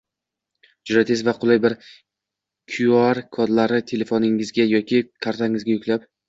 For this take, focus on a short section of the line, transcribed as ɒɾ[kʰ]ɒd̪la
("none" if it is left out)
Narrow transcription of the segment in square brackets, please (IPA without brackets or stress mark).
kʰ